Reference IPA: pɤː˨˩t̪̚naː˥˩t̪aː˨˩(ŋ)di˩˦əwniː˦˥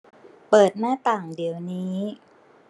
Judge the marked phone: correct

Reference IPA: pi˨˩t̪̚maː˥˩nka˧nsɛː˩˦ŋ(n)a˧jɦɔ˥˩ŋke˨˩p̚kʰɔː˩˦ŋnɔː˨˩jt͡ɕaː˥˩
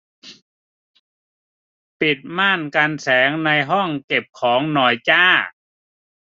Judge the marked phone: correct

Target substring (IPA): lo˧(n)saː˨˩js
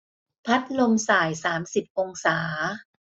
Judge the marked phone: incorrect: m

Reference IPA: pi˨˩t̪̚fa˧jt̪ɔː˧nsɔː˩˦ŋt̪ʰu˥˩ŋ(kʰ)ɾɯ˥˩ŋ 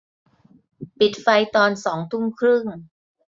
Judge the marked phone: correct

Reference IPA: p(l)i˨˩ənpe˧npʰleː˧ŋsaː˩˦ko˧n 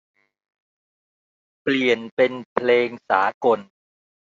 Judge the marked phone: correct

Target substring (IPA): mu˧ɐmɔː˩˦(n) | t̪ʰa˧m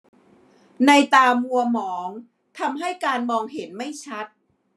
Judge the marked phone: incorrect: ŋ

